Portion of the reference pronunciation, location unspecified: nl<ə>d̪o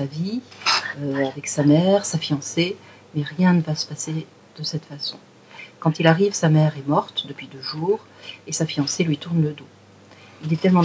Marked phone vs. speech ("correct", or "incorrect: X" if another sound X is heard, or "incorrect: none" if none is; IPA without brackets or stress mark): correct